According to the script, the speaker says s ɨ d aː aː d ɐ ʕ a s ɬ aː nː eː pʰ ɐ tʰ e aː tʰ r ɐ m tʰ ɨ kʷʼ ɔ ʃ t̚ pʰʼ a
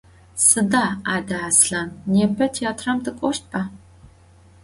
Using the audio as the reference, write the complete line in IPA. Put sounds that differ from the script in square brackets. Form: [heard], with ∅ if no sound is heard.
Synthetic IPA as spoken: s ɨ d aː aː d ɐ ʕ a s ɬ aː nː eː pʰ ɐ tʰ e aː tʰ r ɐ m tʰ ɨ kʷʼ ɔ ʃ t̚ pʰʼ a